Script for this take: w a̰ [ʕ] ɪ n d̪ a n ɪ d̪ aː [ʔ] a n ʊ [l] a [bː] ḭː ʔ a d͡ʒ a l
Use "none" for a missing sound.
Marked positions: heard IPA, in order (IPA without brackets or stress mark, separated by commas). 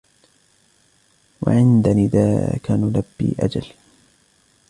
ʕ, k, l, bː